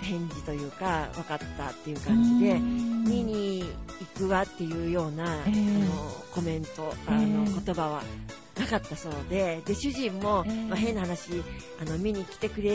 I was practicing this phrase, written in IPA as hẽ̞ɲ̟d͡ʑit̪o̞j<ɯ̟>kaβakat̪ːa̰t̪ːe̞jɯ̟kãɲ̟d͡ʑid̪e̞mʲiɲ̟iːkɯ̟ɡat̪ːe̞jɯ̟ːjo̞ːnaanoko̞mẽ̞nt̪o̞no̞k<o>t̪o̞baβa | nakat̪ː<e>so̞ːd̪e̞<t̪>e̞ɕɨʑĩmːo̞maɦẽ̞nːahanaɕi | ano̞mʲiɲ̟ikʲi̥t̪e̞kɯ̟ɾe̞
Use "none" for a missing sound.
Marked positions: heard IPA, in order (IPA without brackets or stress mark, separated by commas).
ɯ̟ː, o, a, d̪